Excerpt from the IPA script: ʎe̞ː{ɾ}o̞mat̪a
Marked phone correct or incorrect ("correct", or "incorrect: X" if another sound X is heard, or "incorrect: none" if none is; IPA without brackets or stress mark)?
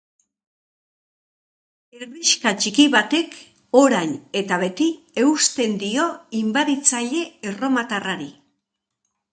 incorrect: r